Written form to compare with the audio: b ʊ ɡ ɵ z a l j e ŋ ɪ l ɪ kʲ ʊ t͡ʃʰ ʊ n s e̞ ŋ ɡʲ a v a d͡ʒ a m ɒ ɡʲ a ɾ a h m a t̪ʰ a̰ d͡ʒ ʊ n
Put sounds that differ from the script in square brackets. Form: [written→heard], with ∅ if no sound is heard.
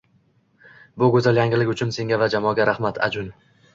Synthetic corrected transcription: b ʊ ɡ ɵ z a l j [e→a] ŋ ɪ l ɪ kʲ ʊ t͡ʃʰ ʊ n s e̞ ŋ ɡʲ a v a d͡ʒ a m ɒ ɡʲ a ɾ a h m a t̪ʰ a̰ d͡ʒ ʊ n